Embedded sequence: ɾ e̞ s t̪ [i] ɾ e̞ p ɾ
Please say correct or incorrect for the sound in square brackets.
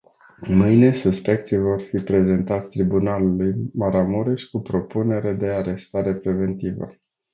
incorrect